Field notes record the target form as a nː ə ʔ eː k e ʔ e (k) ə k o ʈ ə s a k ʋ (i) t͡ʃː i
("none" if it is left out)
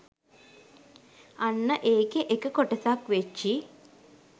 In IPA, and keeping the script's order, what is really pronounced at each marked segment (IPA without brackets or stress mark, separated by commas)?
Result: k, e